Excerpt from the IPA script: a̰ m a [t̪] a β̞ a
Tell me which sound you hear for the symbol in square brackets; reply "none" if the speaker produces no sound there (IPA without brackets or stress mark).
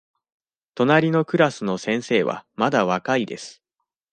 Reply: d̪